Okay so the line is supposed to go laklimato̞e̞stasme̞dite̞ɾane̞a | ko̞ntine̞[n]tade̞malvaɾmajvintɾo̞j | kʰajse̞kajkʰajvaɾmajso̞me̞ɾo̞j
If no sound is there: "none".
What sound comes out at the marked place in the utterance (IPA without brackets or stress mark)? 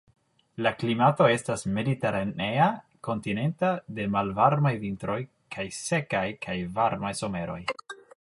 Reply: n